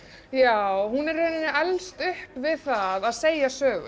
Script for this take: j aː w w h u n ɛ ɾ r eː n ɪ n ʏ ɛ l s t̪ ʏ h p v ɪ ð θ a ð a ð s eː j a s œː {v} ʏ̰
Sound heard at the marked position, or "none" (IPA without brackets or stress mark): ɣ